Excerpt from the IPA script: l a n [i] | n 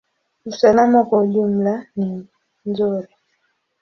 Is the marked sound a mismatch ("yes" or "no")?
no